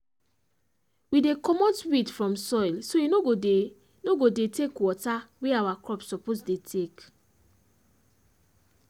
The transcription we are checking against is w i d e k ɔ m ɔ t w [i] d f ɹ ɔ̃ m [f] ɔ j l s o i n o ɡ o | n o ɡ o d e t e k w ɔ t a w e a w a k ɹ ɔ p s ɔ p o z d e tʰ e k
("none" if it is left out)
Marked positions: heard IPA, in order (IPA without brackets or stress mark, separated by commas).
i, s